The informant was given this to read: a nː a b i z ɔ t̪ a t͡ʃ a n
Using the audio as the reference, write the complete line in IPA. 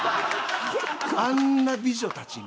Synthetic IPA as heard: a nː a b i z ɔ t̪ a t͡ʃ i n